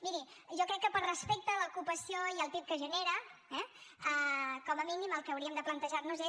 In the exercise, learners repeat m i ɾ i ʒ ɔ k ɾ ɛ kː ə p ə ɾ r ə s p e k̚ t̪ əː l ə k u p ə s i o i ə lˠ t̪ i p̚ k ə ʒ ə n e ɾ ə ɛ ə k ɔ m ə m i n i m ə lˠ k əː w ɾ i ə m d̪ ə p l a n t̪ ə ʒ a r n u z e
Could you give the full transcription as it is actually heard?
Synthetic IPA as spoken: m i ɾ i ʒ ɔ k ɾ ɛ kː ə p ə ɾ r ə s p e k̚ t̪ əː l ə k u p ə s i o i ə lˠ t̪ i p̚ k ə ʒ ə n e ɾ ə ɛ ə k ɔ m ə m i n i m ə lˠ k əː w ɾ i ə m d̪ ə p l ə n t̪ ə ʒ a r n u z e

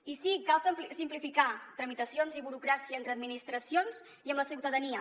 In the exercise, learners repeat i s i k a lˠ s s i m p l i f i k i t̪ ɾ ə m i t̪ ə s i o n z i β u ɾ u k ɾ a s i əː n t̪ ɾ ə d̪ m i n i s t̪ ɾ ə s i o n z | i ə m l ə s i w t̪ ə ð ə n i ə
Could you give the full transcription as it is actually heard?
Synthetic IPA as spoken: i s i k a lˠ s s i m p l i f i k a t̪ ɾ ə m i t̪ ə s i o n z i β u ɾ u k ɾ a s i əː n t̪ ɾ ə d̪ m i n i s t̪ ɾ ə s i o n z | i ə m l ə s i w t̪ ə ð ə n i ə

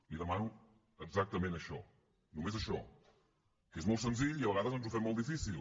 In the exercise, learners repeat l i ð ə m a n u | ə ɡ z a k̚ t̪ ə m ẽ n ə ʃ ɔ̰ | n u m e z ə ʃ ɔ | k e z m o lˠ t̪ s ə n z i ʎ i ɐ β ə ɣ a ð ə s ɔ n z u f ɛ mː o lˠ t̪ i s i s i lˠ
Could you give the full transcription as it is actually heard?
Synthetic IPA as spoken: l i ð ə m a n u | ə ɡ z a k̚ t̪ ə m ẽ n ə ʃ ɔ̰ | n u m e z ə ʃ ɔ | k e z m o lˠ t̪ s ə n z i ʎ i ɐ β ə ɣ a ð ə z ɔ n z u f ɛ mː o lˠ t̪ i f i s i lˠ

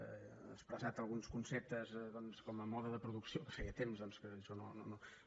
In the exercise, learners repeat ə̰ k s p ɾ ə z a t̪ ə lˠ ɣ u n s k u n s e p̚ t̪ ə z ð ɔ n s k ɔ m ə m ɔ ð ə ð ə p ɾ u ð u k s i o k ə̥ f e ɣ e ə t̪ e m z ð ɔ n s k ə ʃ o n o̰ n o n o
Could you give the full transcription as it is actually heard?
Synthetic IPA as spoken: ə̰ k s p ɾ ə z a t̪ ə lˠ ɣ u n s k u n s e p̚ t̪ ə z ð ɔ n s k ɔ m ə m ɔ ð ə ð ə p ɾ u ð u k s i o k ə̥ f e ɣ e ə t̪ e m z ð ɔ n s k ə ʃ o n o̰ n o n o

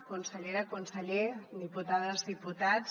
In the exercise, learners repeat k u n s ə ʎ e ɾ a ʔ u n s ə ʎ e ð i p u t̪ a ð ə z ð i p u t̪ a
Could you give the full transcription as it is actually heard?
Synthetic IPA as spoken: k u n s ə ʎ e ɾ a k u n s ə ʎ e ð i p u t̪ a ð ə z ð i p u t̪ a

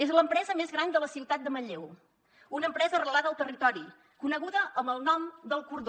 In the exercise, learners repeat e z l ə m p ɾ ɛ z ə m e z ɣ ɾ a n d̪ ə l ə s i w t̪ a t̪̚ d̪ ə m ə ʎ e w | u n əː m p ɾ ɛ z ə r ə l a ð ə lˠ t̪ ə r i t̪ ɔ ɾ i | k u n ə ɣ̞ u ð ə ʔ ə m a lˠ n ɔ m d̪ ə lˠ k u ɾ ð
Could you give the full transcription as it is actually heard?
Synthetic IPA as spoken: e z l ə m p ɾ ɛ z ə m e z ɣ ɾ a n d̪ ə l ə s i w t̪ a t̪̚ d̪ ə m ə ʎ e w | u n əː m p ɾ ɛ z ə r ə l a ð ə lˠ t̪ ə r i t̪ ɔ ɾ i | k u n ə ɣ̞ u ð ə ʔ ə m ə lˠ n ɔ m d̪ ə lˠ k u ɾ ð

